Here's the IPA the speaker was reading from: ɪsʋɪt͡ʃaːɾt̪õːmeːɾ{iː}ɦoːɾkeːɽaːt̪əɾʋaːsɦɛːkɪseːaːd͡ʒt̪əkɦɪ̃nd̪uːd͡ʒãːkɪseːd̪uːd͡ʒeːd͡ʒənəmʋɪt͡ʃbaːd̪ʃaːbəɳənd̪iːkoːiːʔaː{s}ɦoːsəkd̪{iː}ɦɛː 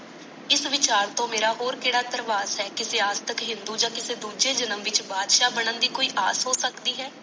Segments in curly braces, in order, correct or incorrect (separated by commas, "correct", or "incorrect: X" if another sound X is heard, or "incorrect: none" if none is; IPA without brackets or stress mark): incorrect: aː, correct, correct